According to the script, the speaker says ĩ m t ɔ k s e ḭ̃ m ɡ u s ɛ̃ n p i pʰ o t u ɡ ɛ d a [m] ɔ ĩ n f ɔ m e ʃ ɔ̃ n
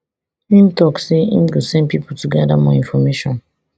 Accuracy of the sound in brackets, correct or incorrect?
correct